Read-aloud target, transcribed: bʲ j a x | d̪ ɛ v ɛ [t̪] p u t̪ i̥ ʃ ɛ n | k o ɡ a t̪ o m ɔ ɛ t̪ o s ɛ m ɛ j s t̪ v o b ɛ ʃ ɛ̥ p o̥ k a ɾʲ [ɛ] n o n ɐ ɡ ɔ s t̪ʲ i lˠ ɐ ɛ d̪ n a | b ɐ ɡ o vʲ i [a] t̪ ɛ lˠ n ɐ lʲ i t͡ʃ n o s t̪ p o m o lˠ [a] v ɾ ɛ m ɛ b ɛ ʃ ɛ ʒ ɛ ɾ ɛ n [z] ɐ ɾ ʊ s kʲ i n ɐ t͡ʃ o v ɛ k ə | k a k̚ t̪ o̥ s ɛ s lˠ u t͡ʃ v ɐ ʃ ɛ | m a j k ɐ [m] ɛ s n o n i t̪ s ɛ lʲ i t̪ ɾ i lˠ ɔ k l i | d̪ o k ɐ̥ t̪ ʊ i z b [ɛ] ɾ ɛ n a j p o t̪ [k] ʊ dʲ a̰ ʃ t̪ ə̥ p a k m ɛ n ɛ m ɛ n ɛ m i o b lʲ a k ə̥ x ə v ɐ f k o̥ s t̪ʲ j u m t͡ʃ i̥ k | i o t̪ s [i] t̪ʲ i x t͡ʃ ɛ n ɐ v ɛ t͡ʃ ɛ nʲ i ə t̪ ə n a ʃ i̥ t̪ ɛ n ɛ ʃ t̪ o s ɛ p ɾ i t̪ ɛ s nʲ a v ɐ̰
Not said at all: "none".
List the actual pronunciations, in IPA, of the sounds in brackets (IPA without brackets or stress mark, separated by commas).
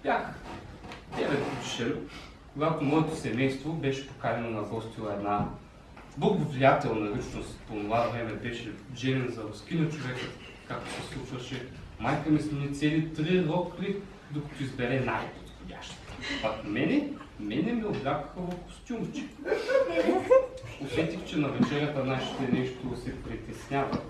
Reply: t̪, ɛ, a, a, z, m, ɛ, x, ɛ